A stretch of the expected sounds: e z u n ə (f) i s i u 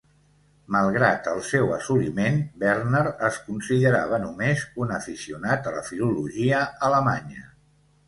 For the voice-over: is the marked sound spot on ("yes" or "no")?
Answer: yes